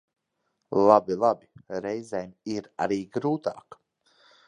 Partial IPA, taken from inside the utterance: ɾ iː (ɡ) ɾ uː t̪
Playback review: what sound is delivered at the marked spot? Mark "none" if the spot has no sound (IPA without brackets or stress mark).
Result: ɡ